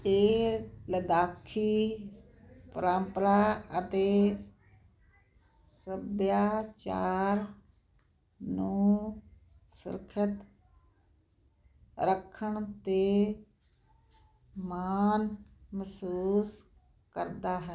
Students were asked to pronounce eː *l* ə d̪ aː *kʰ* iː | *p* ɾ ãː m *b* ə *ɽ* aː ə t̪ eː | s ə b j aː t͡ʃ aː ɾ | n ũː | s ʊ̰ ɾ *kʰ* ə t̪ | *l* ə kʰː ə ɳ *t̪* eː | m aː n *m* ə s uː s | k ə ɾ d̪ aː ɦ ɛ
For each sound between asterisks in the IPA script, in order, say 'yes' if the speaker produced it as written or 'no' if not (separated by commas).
yes, yes, yes, no, no, yes, no, yes, yes